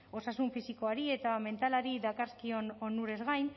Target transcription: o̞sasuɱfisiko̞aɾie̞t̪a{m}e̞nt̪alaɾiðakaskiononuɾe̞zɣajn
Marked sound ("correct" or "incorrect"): correct